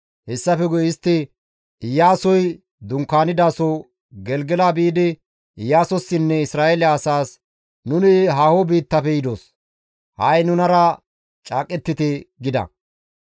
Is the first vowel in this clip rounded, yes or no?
no